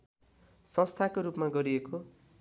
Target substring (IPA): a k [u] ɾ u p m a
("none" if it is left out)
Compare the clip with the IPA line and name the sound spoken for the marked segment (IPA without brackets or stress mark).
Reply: o